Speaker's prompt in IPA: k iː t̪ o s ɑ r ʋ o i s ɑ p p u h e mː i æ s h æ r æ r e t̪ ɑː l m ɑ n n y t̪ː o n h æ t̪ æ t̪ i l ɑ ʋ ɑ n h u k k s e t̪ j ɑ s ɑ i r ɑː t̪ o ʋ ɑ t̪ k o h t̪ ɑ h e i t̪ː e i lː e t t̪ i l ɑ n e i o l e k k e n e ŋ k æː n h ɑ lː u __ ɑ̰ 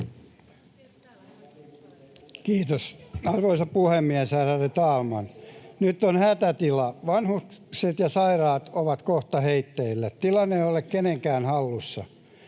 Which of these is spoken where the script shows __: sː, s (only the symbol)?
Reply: sː